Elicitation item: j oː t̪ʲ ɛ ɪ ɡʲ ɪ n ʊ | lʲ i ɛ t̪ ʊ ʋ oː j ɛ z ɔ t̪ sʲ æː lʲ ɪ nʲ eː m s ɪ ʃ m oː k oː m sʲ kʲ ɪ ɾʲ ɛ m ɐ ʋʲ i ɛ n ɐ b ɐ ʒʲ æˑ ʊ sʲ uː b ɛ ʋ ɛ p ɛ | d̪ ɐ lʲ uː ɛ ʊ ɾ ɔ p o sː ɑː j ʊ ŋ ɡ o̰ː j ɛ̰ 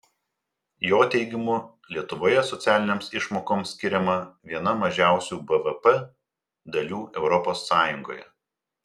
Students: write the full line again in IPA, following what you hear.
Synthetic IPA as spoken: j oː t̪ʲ ɛ ɪ ɡʲ ɪ m ʊ | lʲ i ɛ t̪ ʊ ʋ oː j ɛ s ɔ t̪ sʲ æː lʲ ɪ nʲ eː m s ɪ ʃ m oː k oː m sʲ kʲ ɪ ɾʲ ɛ m ɐ ʋʲ i ɛ n ɐ m ɐ ʒʲ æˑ ʊ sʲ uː b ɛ ʋ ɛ p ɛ | d̪ ɐ lʲ uː ɛ ʊ ɾ ɔ p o sː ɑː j ʊ ŋ ɡ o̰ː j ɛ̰